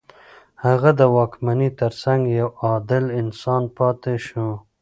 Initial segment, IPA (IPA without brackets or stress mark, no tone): h